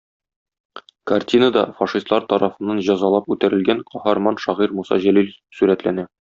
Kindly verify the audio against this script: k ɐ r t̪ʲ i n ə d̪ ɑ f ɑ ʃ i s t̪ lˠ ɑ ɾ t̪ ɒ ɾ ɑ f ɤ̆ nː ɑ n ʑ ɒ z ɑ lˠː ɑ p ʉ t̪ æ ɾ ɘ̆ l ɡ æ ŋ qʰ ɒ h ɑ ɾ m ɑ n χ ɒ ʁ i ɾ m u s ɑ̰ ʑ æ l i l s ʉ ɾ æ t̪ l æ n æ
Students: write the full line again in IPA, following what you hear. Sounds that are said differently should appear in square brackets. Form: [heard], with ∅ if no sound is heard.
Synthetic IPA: k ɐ r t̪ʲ i n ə d̪ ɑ f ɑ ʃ i s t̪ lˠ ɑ ɾ t̪ ɒ ɾ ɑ f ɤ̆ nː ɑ n ʑ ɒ z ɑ [lˠ] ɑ p ʉ t̪ æ ɾ ɘ̆ l ɡ æ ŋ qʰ ɒ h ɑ ɾ m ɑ n [ʃ] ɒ ʁ i ɾ m u s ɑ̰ ʑ æ l i l s ʉ ɾ æ t̪ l æ n æ